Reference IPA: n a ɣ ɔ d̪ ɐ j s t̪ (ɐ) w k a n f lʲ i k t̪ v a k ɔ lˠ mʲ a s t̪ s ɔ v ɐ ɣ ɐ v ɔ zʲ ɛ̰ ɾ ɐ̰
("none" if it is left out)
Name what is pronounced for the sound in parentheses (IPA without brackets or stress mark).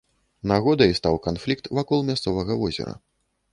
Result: a